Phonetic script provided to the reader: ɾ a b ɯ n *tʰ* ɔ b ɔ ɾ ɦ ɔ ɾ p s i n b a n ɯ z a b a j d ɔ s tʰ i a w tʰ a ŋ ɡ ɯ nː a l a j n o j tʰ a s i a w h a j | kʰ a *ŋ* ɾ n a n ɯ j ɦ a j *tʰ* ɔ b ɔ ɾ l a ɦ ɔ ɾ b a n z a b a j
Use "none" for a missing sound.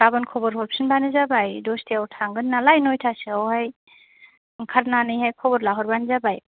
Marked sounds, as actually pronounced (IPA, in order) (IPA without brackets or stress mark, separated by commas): kʰ, none, kʰ